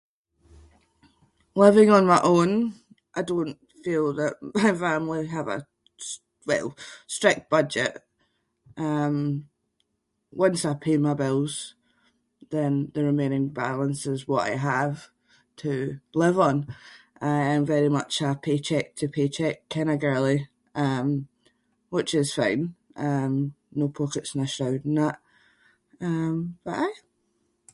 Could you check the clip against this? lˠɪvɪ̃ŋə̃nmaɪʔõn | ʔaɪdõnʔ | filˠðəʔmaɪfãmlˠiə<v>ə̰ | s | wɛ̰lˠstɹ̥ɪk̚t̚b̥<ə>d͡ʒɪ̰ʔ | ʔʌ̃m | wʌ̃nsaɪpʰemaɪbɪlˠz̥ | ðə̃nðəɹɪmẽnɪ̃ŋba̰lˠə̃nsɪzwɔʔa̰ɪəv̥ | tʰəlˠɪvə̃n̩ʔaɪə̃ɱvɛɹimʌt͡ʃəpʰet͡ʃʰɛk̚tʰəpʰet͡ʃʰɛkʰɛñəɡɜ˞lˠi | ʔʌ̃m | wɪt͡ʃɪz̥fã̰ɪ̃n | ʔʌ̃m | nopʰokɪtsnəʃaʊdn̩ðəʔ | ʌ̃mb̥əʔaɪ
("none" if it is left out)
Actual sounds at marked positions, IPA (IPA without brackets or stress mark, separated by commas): v, ʌ